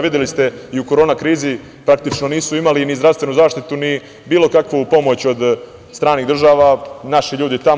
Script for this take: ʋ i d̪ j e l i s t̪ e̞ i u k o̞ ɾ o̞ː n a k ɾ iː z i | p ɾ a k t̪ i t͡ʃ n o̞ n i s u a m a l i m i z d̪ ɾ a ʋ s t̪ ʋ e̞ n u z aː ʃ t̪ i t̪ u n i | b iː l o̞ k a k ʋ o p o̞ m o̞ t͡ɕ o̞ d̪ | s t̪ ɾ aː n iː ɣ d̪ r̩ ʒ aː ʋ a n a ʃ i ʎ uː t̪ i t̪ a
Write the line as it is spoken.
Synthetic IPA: ʋ i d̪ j e l i s t̪ e̞ i u k o̞ ɾ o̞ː n a k ɾ iː z i | p ɾ a k t̪ i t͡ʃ n o̞ n iː s u i m a l i n i z d̪ ɾ a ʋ s t̪ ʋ e̞ n u z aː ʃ t̪ i t̪ u n i | b iː l o̞ k a k ʋ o p o̞ m o̞ t͡ɕ o̞ d̪ | s t̪ ɾ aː n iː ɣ d̪ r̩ ʒ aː ʋ a n a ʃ i ʎ uː d̪ i t̪ a